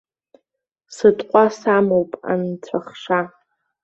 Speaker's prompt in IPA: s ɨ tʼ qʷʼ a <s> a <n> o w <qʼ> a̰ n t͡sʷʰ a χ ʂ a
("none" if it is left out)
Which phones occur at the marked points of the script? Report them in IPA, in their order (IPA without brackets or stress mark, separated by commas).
s, m, pʼ